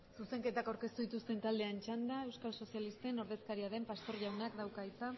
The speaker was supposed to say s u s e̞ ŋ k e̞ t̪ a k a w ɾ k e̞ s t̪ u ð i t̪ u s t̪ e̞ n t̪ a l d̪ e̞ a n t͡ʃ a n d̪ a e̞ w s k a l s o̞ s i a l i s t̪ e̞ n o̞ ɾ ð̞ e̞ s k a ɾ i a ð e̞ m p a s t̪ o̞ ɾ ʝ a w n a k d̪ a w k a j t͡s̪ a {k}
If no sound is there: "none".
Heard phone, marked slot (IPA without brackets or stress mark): none